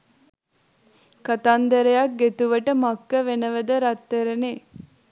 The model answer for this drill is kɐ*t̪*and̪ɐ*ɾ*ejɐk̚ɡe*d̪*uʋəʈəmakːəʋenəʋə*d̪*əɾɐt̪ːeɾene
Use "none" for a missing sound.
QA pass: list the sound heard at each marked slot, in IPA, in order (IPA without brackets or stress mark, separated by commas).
t̪, ɾ, t̪, d̪